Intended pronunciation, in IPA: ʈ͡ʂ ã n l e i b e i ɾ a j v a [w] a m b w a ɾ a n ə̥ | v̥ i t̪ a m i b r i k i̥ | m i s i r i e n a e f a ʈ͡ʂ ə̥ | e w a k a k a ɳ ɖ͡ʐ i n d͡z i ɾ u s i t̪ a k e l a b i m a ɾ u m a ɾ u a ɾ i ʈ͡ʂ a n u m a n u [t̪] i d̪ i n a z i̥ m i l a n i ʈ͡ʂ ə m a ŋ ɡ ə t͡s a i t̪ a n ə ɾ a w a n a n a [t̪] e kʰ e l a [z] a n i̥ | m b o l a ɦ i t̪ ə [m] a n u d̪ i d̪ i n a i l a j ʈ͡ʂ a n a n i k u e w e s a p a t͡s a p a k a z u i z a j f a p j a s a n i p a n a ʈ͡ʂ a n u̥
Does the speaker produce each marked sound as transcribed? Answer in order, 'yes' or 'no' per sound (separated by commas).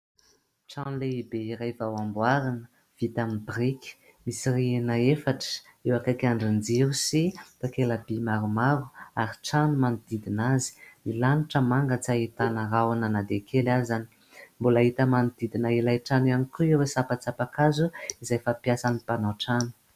yes, no, no, yes, yes